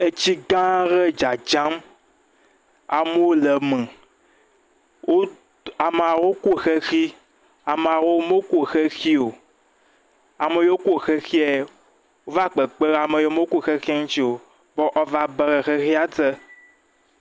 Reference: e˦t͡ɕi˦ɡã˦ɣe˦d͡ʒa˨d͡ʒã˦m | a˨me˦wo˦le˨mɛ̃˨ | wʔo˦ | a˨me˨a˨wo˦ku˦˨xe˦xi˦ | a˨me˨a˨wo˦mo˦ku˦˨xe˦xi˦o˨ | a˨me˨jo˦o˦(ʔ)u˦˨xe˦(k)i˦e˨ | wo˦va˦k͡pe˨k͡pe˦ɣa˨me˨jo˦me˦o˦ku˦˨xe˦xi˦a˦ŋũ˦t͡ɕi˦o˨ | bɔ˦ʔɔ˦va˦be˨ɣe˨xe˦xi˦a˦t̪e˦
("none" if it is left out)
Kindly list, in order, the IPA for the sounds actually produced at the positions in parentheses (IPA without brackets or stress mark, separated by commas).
k, x